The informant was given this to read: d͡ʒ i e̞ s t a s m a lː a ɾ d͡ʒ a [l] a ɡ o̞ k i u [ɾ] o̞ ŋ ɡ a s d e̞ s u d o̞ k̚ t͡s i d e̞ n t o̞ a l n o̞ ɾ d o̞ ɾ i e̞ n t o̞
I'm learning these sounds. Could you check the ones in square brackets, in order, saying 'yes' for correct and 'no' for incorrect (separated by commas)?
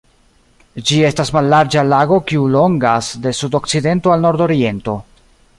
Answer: yes, no